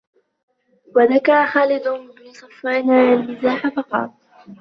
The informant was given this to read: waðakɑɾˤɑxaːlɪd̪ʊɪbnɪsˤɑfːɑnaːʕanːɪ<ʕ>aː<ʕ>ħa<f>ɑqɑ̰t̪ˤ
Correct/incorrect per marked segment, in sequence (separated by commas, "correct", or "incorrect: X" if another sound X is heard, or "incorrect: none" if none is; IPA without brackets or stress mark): incorrect: z, incorrect: none, correct